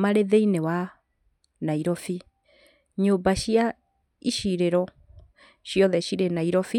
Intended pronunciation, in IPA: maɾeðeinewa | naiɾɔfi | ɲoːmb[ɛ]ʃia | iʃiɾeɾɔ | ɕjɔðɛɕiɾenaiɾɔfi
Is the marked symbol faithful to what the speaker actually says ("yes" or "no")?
no